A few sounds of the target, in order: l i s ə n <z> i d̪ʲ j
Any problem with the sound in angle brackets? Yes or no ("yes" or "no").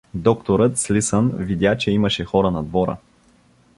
yes